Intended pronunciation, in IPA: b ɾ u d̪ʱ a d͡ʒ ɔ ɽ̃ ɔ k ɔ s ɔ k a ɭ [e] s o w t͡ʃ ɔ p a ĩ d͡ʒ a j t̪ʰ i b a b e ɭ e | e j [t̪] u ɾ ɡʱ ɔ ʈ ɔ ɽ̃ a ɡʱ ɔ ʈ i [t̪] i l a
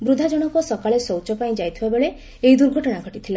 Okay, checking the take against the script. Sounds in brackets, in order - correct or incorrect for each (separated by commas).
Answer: correct, incorrect, incorrect